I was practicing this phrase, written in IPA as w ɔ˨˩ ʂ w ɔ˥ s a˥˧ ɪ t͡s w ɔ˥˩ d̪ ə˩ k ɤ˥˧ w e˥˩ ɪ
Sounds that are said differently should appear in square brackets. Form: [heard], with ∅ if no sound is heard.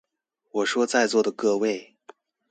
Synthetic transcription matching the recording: w ɔ˨˩ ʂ w ɔ˥ [t͡s] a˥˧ ɪ t͡s w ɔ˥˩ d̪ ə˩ k ɤ˥˧ w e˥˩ ɪ